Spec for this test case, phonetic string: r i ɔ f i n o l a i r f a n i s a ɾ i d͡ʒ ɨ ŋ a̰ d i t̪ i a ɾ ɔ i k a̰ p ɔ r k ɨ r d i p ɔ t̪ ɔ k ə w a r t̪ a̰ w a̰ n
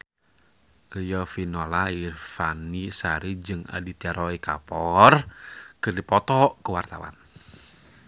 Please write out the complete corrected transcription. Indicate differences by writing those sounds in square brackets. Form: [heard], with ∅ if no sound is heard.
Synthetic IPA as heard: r i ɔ f i n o l a i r f a n i s a ɾ i d͡ʒ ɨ ŋ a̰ d i t̪ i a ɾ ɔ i k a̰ p ɔ r k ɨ r d i p ɔ t̪ ɔ k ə w a r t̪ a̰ w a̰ n